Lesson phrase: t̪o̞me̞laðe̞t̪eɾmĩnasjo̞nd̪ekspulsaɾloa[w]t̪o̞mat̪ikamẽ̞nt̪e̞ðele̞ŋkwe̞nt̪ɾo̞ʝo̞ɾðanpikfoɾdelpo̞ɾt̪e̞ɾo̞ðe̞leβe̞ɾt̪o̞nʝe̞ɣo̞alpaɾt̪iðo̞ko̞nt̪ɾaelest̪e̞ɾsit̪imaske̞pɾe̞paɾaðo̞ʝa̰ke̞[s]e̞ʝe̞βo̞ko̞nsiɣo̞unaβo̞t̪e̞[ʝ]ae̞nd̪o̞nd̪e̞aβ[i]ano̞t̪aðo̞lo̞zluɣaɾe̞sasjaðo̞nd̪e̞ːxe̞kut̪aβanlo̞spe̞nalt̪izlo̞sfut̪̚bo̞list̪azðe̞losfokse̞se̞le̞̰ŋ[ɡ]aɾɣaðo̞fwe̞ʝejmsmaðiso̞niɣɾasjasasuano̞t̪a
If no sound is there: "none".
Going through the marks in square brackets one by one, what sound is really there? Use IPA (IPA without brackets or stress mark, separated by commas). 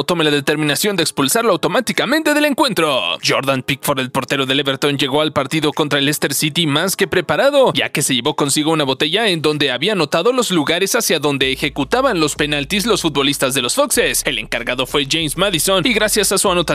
w, s, ʝ, i, k